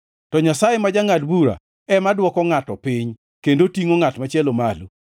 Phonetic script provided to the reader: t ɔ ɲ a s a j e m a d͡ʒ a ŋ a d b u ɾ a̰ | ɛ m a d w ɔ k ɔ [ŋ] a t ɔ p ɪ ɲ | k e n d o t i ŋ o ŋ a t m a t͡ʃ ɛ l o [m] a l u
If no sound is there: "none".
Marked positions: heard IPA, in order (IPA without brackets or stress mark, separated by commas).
ŋ, m